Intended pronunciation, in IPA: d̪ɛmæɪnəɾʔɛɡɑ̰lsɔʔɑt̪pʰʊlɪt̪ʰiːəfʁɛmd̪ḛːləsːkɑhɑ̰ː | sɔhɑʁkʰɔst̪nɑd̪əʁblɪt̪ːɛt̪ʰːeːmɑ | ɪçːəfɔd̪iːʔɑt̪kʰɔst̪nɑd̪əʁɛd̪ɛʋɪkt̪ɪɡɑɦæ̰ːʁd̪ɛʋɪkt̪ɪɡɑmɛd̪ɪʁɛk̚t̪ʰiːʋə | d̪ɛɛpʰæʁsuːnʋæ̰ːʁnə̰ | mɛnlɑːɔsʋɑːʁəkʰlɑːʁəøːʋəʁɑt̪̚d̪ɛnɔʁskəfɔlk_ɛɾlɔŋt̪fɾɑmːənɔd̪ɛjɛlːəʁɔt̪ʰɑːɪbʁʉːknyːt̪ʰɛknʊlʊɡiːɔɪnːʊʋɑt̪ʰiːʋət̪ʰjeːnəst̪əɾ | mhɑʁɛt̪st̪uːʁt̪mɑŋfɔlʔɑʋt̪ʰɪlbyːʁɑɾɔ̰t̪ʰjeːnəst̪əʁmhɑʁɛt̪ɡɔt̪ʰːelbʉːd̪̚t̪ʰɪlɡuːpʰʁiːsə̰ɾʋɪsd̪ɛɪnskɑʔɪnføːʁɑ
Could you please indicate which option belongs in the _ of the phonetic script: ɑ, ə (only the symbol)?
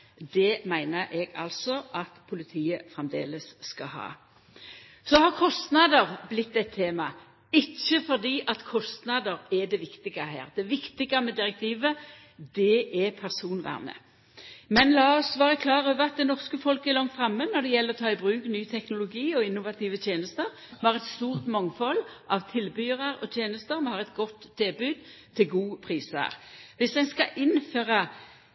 ə